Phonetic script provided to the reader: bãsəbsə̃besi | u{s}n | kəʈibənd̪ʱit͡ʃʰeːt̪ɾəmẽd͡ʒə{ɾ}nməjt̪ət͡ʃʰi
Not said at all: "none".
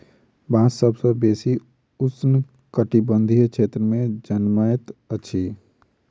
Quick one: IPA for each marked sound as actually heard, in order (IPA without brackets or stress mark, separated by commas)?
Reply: s, none